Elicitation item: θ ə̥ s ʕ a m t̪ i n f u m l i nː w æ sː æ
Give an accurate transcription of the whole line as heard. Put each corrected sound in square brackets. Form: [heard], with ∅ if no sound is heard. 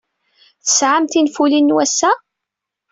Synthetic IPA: θ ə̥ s ʕ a m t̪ i n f u [∅] l i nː w æ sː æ